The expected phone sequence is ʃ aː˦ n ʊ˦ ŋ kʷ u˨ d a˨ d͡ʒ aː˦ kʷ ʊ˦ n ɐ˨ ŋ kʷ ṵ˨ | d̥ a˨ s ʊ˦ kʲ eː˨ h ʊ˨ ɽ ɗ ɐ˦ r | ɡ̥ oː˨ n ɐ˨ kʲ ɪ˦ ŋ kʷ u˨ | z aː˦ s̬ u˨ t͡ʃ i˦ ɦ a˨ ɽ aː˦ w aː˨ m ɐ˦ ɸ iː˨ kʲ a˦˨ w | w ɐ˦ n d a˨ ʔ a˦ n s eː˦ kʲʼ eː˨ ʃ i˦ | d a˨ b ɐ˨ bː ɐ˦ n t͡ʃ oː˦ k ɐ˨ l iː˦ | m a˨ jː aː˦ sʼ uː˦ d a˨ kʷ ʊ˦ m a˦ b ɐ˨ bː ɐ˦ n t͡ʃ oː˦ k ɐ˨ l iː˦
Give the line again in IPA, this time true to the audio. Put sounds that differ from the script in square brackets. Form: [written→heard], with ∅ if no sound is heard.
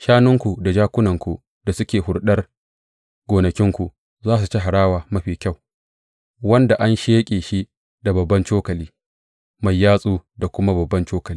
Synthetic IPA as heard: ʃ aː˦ n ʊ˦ ŋ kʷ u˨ d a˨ d͡ʒ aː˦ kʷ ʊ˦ n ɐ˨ ŋ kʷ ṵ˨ | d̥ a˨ s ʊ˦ kʲ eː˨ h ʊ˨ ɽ ɗ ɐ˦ r | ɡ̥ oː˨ n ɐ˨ kʲ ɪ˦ ŋ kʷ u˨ | z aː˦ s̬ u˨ t͡ʃ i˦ ɦ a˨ ɽ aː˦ w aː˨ m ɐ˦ ɸ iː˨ kʲ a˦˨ w | w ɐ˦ n d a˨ ʔ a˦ n [s→ʃ] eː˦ kʲʼ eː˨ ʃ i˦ | d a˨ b ɐ˨ bː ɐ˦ n t͡ʃ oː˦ k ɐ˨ l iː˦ | m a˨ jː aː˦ sʼ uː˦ d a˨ kʷ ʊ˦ m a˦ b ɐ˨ bː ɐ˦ n t͡ʃ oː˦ k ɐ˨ l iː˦